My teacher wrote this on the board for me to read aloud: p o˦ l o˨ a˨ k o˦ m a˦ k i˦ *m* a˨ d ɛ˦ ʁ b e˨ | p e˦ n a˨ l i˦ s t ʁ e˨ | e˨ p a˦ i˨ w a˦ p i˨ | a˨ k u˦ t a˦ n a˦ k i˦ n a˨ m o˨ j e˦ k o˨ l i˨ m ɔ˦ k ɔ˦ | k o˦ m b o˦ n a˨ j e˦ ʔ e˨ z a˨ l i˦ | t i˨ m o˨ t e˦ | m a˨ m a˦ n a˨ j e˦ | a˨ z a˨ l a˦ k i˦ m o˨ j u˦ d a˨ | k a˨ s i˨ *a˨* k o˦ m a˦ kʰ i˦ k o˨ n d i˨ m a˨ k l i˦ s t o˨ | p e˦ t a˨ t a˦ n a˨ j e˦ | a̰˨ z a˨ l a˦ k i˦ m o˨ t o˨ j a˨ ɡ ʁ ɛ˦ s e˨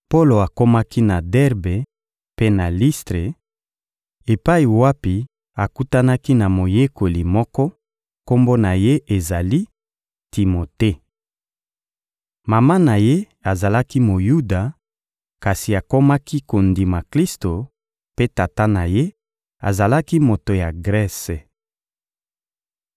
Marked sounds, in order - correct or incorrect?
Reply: incorrect, correct

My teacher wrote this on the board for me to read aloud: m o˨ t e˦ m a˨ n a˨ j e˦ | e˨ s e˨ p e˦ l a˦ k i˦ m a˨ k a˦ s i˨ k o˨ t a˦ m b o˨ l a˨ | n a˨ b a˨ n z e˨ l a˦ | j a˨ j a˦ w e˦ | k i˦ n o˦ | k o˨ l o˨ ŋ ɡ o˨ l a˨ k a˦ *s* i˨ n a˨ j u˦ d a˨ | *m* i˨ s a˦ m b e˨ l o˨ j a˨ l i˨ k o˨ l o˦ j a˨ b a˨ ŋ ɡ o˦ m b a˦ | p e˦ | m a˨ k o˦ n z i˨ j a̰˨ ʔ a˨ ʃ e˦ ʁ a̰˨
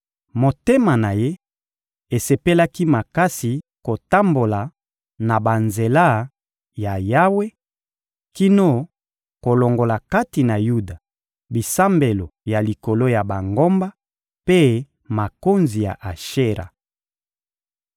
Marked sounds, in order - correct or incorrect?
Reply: incorrect, incorrect

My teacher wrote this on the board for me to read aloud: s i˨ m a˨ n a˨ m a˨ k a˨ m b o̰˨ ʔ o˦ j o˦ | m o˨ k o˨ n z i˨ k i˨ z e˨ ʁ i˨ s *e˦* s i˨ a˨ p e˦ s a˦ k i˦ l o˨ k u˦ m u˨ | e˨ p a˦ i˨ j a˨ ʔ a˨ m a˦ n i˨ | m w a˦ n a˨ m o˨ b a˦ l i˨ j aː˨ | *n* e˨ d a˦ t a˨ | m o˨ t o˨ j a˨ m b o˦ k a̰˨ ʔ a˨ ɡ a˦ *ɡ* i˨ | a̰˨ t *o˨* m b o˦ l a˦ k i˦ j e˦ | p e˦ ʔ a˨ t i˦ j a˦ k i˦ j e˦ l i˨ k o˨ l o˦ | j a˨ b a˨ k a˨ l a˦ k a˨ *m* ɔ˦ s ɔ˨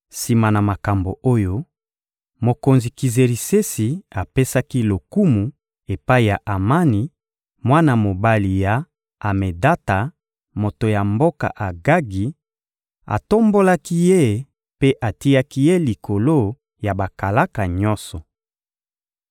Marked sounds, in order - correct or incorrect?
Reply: correct, incorrect, correct, incorrect, incorrect

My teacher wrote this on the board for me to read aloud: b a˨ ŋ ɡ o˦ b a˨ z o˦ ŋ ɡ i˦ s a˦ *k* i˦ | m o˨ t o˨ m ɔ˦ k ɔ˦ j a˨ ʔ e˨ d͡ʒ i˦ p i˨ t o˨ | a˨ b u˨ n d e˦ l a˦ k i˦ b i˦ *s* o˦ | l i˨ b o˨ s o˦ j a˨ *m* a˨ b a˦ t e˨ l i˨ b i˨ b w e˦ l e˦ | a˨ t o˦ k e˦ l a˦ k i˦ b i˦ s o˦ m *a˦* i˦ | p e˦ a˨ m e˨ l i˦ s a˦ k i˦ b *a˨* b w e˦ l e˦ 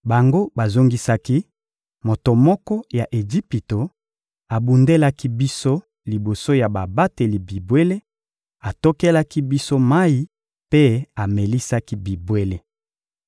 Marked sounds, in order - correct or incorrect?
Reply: correct, correct, incorrect, correct, incorrect

